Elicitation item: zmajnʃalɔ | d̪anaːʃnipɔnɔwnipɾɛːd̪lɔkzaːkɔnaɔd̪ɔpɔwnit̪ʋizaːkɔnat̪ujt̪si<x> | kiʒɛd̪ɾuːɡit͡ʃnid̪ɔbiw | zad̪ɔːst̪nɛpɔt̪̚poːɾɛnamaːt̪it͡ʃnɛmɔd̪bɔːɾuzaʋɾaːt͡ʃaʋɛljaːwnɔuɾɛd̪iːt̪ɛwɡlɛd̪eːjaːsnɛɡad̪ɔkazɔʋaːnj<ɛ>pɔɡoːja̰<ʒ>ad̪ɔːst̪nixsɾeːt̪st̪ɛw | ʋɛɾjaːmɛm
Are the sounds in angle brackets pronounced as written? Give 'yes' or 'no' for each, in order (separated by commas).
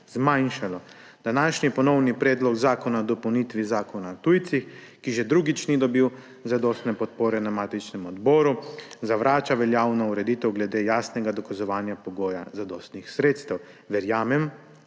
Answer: yes, no, no